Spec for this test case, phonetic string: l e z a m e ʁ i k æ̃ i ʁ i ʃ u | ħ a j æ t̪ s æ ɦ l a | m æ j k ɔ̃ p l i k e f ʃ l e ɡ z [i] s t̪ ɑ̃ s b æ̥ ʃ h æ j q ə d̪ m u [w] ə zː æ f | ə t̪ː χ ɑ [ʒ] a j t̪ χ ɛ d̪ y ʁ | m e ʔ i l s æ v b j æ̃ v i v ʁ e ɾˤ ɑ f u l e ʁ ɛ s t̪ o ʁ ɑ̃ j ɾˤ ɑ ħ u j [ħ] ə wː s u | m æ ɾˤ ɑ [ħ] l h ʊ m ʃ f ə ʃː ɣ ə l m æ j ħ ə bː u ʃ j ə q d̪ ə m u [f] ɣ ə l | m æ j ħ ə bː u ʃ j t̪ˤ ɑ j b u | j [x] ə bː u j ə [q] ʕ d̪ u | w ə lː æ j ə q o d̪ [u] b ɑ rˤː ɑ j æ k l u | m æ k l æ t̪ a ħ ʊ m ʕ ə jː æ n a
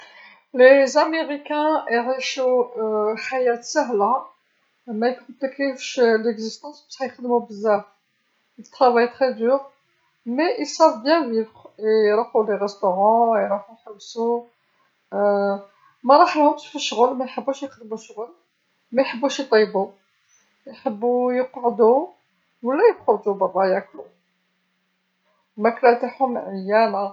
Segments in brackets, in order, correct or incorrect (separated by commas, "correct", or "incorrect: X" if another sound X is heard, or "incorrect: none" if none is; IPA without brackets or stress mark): correct, incorrect: b, incorrect: v, correct, correct, incorrect: ʃ, incorrect: ħ, correct, correct